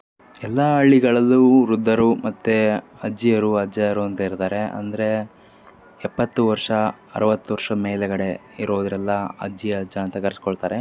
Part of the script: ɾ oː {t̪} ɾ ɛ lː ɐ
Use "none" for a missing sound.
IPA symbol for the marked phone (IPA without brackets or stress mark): d̪